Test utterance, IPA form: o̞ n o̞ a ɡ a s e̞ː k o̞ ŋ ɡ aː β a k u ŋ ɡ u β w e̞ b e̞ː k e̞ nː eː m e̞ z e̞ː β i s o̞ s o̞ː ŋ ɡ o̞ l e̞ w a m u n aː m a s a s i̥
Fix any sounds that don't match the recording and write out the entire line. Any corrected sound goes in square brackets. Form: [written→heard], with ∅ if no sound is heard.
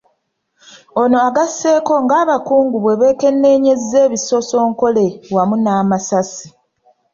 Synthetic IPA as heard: o̞ n o̞ a ɡ a s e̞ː k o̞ ŋ ɡ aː β a k [u→uː] ŋ ɡ u β w e̞ [b→β] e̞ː k e̞ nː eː [m→ɲ] e̞ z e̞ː β i s o̞ s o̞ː ŋ [ɡ→k] o̞ l e̞ w a m u n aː m a s a s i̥